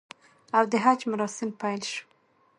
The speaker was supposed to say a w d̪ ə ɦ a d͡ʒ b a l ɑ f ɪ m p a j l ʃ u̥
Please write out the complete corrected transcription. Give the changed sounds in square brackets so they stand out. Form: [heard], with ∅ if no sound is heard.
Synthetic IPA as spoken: a w d̪ ə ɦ a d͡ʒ [m] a [ɾ] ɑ [s] ɪ m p a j l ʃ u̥